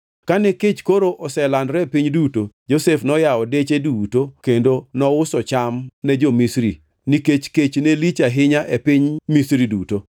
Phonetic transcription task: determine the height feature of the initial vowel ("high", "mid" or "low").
low